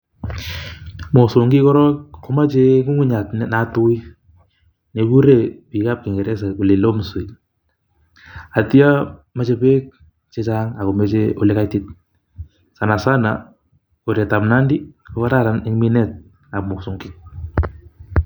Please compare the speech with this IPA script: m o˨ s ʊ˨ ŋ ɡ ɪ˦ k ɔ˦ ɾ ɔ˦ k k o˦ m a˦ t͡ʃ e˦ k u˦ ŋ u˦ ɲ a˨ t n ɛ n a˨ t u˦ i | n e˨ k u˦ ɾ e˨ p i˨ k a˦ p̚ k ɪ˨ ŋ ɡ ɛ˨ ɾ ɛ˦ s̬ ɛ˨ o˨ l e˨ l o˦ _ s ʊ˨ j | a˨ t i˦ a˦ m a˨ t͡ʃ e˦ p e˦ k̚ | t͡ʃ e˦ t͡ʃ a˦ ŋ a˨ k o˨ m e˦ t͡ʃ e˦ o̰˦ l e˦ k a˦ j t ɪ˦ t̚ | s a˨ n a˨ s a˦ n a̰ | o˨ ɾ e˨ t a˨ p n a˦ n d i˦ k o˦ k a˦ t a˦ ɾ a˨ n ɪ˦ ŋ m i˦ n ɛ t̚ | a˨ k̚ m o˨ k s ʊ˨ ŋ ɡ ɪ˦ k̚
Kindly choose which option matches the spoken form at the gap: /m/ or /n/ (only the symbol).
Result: m